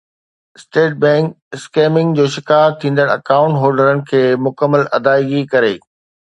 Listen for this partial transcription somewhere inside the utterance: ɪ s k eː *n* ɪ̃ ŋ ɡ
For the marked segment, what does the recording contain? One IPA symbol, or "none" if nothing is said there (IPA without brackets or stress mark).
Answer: m